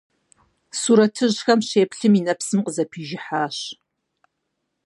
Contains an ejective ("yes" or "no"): no